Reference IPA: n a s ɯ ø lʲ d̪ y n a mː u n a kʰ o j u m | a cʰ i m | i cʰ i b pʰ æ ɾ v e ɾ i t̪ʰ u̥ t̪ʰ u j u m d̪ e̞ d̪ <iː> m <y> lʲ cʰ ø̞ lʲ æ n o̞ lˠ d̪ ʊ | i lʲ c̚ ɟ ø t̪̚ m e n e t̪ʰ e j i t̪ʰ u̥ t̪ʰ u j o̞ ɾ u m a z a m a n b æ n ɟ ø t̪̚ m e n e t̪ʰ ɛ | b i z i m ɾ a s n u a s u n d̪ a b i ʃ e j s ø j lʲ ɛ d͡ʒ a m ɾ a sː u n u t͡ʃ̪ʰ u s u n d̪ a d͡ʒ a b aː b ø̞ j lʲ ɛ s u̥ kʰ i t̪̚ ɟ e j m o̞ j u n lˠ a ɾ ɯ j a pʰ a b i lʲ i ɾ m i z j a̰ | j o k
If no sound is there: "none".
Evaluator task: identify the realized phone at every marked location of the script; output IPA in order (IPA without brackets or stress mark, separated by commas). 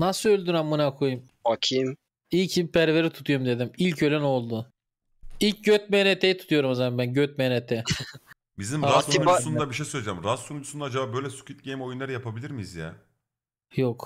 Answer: i, i